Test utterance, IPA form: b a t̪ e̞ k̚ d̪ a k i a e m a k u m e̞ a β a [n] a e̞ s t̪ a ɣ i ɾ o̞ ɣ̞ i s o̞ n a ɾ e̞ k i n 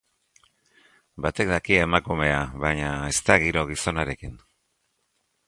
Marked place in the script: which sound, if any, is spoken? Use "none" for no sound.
ɲ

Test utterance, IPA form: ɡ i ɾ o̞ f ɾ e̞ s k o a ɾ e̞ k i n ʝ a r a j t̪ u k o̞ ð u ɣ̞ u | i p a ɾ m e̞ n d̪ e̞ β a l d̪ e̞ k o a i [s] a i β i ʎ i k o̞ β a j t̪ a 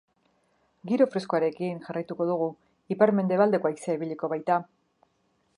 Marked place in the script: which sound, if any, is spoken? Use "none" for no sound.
s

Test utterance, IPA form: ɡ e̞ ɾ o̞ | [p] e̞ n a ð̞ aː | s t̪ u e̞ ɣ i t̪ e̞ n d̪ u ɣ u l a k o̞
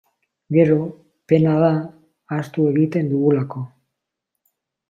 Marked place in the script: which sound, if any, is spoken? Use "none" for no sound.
p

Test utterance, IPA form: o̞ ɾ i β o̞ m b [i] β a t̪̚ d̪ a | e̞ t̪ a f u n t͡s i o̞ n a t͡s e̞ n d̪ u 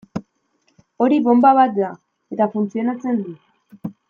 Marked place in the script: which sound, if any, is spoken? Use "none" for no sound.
a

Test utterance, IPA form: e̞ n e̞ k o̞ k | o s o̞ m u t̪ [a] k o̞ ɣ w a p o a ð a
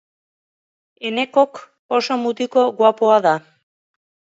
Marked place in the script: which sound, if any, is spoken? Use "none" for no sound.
i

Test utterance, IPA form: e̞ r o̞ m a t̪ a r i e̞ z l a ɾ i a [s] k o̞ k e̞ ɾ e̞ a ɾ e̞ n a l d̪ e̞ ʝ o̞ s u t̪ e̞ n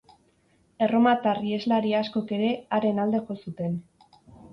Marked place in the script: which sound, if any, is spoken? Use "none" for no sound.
s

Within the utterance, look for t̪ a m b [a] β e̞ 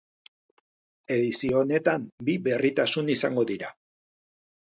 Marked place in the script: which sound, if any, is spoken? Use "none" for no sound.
i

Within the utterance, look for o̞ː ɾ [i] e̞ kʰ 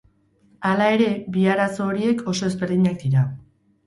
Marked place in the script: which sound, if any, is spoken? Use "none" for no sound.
i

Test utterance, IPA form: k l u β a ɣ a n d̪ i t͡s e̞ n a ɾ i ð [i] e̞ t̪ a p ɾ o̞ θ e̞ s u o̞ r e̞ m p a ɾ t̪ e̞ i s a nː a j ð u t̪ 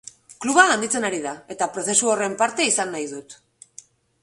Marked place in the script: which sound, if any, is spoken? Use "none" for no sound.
a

